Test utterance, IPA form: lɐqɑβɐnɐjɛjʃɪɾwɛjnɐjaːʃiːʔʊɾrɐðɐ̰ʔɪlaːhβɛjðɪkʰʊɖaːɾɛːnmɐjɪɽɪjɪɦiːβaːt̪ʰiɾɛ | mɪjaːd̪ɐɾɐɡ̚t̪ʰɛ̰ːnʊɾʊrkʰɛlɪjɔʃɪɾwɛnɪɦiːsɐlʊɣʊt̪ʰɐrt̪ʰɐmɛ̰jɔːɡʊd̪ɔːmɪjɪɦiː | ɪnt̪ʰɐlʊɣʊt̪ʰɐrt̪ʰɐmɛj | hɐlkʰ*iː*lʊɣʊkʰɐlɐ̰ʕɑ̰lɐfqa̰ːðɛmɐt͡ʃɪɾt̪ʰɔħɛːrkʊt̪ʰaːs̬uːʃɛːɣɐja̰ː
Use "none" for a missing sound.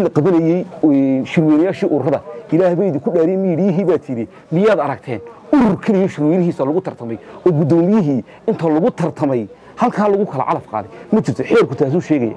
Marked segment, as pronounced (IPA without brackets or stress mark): aː